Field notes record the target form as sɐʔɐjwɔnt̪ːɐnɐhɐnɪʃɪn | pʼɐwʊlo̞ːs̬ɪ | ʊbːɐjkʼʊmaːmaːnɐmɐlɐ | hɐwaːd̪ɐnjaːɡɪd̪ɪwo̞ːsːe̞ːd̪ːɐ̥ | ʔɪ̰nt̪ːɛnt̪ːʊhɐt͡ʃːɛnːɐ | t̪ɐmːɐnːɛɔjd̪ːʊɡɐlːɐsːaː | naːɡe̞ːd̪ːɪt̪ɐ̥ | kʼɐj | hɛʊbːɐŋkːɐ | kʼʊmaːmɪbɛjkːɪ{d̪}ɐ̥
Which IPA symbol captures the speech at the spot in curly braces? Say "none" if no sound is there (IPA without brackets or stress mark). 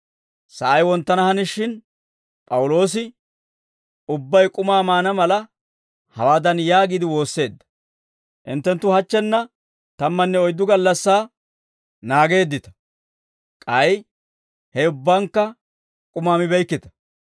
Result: t̪